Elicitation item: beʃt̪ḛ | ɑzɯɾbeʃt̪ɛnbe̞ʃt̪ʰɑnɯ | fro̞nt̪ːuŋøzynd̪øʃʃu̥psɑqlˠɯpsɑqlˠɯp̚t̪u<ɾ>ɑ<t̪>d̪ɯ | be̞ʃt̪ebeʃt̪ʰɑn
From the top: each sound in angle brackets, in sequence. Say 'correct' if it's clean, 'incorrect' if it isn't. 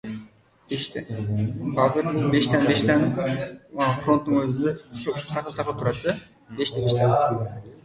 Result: correct, correct

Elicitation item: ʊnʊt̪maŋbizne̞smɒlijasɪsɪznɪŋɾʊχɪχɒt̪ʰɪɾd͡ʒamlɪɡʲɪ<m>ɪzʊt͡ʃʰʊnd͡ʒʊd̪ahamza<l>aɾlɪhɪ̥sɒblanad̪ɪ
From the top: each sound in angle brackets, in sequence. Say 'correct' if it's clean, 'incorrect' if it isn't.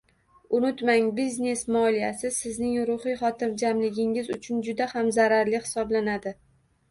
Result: incorrect: ŋ, incorrect: ɾ

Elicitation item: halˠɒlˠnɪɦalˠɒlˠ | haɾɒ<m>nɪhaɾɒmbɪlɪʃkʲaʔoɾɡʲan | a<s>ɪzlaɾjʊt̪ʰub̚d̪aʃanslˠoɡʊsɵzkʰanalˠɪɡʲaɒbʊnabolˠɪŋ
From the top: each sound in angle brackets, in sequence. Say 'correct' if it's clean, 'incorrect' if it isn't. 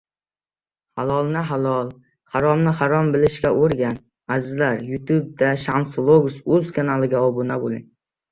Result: correct, incorrect: z

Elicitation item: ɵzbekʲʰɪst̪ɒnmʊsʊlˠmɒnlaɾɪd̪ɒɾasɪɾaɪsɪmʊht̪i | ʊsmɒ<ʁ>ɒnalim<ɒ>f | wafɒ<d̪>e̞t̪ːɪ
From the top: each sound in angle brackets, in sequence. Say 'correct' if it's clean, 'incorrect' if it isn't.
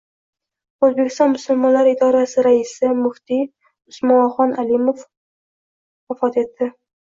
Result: incorrect: χ, incorrect: o, incorrect: t̪

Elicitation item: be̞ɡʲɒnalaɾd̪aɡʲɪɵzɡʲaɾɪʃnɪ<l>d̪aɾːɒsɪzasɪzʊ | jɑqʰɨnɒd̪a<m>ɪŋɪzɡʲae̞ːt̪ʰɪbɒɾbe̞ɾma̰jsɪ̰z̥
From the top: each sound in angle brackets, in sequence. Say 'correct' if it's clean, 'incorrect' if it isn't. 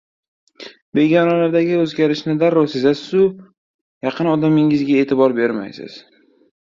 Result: incorrect: none, correct

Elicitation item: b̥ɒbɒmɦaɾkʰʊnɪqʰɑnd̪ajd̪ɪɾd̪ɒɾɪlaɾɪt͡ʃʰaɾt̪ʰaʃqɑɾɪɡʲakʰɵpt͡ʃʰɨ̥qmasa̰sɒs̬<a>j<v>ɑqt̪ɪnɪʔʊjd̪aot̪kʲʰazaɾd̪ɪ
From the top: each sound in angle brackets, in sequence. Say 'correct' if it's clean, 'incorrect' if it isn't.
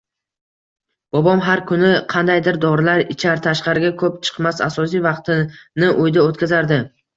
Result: incorrect: i, correct

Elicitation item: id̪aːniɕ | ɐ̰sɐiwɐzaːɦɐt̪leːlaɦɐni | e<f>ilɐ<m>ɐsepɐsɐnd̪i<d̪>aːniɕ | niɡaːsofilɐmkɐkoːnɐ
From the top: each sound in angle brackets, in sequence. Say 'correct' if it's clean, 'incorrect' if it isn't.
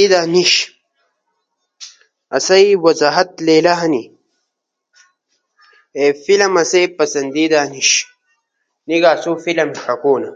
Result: correct, correct, correct

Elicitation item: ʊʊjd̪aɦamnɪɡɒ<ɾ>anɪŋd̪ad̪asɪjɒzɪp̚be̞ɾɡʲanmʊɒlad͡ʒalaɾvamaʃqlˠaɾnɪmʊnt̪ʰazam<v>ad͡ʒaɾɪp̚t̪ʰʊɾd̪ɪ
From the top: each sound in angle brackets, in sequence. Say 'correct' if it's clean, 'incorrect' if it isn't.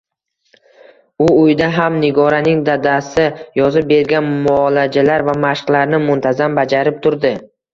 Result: correct, incorrect: b

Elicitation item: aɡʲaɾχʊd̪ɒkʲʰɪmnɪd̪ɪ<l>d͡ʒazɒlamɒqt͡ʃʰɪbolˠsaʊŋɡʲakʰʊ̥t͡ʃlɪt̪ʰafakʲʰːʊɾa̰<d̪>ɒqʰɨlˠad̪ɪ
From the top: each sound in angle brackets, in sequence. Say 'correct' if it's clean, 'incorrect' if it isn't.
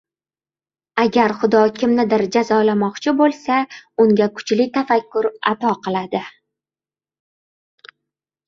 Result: incorrect: ɾ, incorrect: t̪

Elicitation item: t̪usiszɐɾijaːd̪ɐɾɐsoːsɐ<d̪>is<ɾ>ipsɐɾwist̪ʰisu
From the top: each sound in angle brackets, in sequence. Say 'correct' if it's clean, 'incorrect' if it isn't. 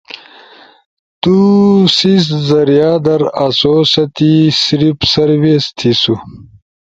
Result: incorrect: t̪, correct

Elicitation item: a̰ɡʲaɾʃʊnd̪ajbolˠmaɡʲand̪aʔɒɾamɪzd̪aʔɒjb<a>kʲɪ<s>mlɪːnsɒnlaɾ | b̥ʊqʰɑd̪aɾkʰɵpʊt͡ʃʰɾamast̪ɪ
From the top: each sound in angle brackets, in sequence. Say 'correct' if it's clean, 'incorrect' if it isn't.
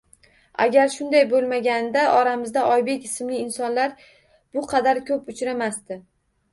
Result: incorrect: e, correct

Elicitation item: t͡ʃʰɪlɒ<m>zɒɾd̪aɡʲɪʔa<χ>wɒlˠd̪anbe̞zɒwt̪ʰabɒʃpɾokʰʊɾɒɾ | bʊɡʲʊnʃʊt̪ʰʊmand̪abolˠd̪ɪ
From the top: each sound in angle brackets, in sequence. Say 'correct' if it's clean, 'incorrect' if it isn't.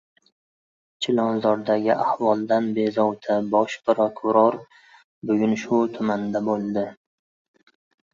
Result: incorrect: n, incorrect: h

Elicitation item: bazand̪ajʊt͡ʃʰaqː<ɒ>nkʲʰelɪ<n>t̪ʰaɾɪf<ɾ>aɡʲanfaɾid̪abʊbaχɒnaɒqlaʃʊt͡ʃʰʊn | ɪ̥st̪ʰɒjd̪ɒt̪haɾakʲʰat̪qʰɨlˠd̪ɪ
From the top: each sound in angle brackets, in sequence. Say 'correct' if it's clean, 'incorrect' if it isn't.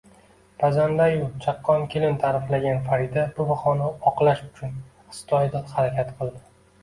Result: correct, correct, incorrect: l

